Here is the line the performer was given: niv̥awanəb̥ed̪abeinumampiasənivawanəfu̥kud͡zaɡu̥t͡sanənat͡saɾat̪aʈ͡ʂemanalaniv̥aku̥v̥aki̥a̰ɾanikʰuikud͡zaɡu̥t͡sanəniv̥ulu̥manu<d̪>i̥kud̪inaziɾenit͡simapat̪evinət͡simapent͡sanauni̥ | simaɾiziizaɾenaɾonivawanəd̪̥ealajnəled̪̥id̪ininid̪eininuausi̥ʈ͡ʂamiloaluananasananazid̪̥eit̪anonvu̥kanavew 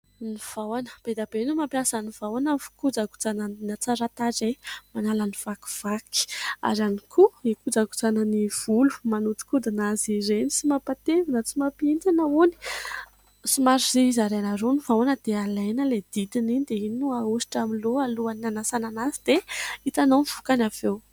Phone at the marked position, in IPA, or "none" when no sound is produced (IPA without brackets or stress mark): t̪